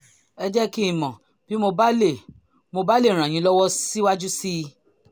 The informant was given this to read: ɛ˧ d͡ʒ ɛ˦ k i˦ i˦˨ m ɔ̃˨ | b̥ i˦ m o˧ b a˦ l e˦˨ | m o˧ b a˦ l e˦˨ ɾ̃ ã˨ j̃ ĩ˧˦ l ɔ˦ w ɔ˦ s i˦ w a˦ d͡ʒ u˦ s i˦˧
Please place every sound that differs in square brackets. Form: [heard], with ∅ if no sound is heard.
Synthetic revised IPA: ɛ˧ d͡ʒ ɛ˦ k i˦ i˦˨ m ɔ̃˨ | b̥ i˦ m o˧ b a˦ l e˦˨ | m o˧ b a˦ l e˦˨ ɾ̃ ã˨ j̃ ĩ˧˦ l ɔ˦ w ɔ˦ s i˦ w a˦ d͡ʒ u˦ s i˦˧

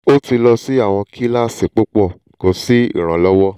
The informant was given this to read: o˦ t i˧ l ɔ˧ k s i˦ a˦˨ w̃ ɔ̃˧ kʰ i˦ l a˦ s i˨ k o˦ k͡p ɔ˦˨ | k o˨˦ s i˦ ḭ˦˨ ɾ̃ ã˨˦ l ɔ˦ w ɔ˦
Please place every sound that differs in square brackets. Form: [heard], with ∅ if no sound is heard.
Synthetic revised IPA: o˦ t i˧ l ɔ˧ [∅] s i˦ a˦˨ w̃ ɔ̃˧ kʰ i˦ l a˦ s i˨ [k͡p] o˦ k͡p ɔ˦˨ | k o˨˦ s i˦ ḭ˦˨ ɾ̃ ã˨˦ l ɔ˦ w ɔ˦

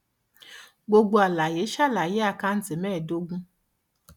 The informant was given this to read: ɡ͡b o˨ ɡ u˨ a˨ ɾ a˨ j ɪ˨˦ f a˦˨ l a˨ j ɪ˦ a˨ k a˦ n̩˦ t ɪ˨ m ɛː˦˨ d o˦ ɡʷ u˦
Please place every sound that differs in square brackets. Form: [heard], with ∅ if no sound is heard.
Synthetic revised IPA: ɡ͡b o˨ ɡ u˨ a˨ [l] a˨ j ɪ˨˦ [ʃ] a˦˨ l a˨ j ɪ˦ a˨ k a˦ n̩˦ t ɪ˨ m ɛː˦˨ d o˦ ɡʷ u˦

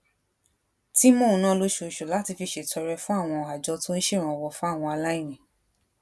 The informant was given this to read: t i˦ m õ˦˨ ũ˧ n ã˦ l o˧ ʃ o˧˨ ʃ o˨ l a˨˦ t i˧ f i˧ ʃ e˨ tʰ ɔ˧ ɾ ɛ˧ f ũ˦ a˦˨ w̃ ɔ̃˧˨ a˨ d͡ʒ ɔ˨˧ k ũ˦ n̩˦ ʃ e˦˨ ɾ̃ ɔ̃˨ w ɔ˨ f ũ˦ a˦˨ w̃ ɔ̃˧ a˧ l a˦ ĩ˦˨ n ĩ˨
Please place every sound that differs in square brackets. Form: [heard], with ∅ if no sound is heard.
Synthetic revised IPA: t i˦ m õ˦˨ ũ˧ n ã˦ l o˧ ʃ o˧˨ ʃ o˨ l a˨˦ t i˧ f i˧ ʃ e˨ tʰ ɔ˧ ɾ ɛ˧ f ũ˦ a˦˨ w̃ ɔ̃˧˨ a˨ d͡ʒ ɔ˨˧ [t] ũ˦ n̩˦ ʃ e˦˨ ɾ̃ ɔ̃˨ w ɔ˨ f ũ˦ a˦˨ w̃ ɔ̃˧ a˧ l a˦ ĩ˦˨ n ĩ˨

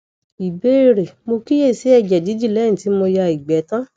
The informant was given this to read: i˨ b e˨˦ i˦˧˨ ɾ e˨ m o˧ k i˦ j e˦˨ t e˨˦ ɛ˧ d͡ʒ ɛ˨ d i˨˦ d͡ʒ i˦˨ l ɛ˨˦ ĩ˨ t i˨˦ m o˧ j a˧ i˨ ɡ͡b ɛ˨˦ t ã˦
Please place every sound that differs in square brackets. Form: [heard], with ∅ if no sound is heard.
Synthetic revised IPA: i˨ b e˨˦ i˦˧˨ ɾ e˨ m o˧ k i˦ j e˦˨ [s] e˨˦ ɛ˧ d͡ʒ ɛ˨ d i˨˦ d͡ʒ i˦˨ l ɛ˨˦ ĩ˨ t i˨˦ m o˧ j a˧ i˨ ɡ͡b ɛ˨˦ t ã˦

